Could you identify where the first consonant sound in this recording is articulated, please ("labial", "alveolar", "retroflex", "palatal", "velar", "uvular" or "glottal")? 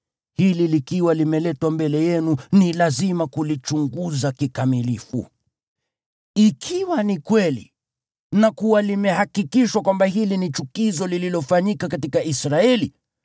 glottal